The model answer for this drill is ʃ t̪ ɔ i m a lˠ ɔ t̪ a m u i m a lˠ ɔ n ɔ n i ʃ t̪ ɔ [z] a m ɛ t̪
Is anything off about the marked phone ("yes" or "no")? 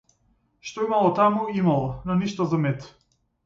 no